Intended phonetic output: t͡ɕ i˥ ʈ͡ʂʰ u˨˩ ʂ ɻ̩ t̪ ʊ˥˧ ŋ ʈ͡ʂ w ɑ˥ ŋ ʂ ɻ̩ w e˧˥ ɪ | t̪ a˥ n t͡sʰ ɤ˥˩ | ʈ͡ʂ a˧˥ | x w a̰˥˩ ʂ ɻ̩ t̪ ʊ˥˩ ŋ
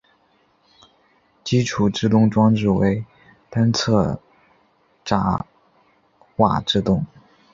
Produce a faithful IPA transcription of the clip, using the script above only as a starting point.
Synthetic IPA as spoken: t͡ɕ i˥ ʈ͡ʂʰ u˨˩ ʈ͡ʂ ɻ̩ t̪ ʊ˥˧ ŋ ʈ͡ʂ w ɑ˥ ŋ ʈ͡ʂ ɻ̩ w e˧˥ ɪ | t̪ a˥ n t͡sʰ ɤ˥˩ | ʈ͡ʂ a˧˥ | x w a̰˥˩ ʈ͡ʂ ɻ̩ t̪ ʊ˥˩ ŋ